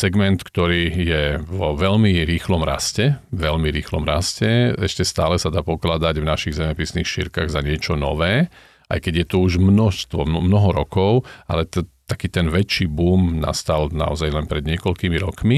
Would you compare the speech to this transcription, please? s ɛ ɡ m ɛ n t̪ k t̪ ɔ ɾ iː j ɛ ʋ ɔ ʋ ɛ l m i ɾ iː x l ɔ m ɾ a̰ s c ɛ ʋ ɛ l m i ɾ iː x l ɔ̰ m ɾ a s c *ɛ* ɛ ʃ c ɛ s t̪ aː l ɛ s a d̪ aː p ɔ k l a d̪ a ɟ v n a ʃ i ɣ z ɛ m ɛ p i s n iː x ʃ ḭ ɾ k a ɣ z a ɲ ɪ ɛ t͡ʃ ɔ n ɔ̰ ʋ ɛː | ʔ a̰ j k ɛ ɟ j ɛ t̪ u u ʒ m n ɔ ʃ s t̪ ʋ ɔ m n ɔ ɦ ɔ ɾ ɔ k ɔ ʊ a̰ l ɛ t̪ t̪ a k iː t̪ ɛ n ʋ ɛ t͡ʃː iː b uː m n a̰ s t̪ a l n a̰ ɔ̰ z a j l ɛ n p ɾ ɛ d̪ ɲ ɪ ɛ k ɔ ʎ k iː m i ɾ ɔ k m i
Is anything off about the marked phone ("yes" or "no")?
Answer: no